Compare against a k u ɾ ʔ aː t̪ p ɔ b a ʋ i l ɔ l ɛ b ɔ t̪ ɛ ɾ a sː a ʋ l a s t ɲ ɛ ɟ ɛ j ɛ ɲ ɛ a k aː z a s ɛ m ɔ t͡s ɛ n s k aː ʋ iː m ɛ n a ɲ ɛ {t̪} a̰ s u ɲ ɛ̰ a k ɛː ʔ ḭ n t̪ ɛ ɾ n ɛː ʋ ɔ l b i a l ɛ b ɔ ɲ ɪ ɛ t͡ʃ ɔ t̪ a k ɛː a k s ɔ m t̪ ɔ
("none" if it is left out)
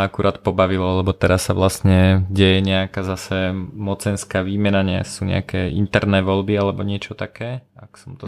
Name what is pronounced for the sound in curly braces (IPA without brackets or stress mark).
none